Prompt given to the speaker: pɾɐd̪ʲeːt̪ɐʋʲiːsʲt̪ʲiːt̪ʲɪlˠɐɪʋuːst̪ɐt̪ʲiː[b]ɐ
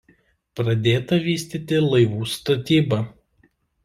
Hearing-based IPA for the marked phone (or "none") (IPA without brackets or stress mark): b